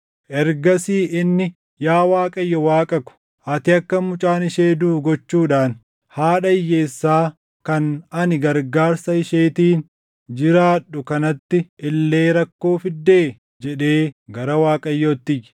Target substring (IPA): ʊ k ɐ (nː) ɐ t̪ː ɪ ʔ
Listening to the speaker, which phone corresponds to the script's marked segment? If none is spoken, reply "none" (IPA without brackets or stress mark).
n